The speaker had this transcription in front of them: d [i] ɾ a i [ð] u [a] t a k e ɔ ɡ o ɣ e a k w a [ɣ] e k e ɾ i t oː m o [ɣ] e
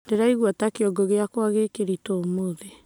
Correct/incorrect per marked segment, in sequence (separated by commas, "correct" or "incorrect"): incorrect, incorrect, correct, correct, incorrect